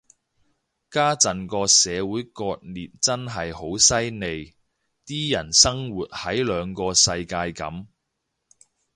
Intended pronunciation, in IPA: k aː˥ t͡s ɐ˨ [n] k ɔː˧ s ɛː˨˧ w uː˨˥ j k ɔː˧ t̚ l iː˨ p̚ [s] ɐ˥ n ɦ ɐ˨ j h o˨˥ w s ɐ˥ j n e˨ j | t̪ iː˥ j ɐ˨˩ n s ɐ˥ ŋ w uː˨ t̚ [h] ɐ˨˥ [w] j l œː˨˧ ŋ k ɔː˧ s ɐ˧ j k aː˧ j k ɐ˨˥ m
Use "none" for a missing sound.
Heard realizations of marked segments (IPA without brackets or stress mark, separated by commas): n, t͡s, h, none